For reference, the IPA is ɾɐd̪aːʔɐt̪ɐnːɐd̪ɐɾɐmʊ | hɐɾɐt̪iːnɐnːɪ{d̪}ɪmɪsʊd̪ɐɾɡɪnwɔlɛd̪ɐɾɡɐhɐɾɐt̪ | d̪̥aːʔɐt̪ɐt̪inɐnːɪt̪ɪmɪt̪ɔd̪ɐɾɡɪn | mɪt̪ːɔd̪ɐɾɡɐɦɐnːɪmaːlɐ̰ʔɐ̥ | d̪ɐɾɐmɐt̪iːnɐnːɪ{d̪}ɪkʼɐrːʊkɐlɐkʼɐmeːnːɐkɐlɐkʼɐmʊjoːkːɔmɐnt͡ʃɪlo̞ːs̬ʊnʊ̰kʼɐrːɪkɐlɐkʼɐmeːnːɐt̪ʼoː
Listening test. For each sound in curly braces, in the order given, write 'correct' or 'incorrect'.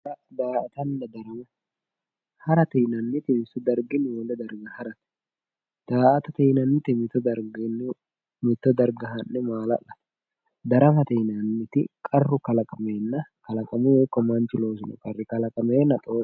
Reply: incorrect, incorrect

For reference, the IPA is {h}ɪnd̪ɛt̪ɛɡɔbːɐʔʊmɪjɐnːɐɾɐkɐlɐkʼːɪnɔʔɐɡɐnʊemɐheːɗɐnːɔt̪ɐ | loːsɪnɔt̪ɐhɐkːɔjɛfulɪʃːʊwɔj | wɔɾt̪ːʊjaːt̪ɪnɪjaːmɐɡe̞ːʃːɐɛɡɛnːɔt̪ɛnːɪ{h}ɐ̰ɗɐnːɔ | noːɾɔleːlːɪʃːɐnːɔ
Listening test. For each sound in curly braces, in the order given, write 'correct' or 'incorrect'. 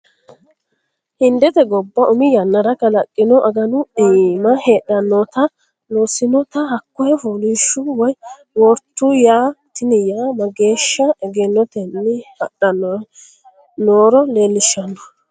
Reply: correct, correct

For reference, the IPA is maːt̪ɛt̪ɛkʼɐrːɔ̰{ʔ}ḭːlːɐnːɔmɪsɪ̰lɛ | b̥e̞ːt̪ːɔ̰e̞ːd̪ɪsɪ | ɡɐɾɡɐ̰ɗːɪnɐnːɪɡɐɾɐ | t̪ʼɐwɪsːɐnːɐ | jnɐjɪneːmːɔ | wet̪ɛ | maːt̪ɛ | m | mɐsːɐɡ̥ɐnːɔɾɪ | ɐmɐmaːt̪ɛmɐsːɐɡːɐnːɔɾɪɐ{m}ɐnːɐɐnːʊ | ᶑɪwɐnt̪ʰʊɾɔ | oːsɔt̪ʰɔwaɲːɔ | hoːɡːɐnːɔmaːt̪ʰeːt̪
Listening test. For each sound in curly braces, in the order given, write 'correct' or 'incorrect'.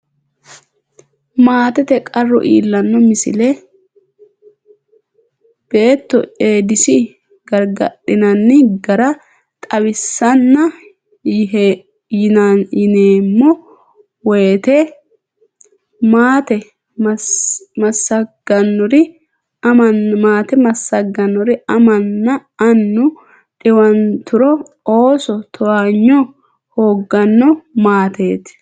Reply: correct, correct

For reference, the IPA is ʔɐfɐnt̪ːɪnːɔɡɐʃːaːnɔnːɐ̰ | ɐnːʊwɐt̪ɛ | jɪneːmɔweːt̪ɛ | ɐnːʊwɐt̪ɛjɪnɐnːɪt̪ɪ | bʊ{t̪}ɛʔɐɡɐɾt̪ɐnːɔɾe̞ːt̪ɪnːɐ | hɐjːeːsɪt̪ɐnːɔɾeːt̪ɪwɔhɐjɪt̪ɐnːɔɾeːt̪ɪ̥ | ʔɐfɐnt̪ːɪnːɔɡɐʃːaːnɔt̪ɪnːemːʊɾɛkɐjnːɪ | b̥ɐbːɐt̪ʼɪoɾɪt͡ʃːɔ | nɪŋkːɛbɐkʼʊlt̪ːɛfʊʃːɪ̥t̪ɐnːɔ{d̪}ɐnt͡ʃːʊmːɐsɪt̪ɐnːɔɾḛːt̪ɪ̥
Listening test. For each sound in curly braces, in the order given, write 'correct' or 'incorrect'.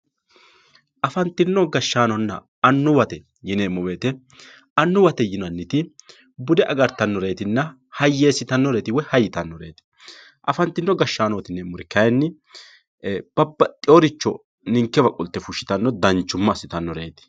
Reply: incorrect, correct

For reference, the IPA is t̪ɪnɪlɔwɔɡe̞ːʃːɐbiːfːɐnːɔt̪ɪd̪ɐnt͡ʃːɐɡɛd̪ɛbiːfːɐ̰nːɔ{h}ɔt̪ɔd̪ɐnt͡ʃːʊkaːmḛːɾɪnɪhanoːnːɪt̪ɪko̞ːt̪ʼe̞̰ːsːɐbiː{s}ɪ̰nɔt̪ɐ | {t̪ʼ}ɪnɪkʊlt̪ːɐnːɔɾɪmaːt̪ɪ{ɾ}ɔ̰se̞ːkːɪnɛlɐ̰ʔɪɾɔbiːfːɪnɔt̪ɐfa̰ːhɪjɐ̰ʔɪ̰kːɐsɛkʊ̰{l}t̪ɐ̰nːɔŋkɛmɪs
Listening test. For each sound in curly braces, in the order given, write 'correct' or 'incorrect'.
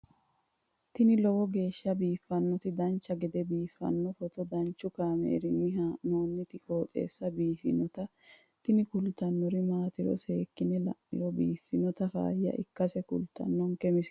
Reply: incorrect, incorrect, incorrect, correct, correct

